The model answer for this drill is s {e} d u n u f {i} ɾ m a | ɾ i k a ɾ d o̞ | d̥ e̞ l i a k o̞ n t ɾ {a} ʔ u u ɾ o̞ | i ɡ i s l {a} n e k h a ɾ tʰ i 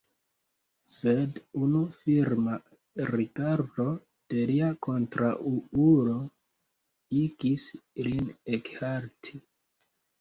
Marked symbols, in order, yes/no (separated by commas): yes, yes, yes, no